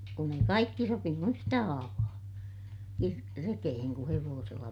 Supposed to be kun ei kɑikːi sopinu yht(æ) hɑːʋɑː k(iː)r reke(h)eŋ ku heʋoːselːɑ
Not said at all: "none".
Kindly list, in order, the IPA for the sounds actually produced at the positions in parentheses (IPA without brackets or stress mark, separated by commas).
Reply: æ, i, h